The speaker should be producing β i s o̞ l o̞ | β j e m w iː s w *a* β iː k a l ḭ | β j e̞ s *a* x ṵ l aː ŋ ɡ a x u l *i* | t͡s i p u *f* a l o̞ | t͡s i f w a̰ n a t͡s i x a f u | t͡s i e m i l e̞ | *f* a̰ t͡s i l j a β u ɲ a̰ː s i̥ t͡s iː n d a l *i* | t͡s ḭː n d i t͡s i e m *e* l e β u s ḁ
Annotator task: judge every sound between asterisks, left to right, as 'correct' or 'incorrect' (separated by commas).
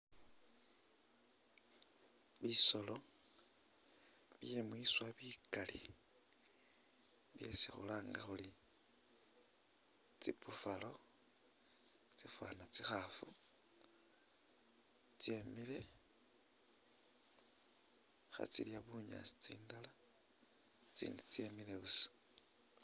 correct, incorrect, correct, correct, incorrect, incorrect, incorrect